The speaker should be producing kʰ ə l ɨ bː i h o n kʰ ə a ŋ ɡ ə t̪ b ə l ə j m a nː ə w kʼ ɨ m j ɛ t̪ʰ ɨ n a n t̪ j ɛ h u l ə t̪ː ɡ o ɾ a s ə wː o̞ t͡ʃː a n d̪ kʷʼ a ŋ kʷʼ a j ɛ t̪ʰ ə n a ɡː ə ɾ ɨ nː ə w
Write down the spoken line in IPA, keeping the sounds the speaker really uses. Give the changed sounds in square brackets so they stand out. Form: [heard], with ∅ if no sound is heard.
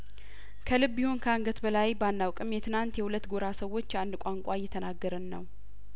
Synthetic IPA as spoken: kʰ ə l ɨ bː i h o n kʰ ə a ŋ ɡ ə t̪ b ə l [a] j [b] a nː [a] w kʼ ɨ m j ɛ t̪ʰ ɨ n a n t̪ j ɛ h u l ə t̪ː ɡ o ɾ a s ə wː o̞ t͡ʃː a n d̪ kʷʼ a ŋ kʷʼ a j ɛ t̪ʰ ə n a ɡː ə ɾ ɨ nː ə w